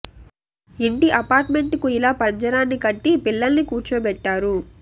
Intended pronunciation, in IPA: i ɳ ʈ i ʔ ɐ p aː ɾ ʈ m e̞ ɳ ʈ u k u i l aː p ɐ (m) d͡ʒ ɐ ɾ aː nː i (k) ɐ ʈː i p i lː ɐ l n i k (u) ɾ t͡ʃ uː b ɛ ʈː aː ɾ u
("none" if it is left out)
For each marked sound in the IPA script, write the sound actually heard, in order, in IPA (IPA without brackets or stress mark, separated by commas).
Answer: ɲ, k, uː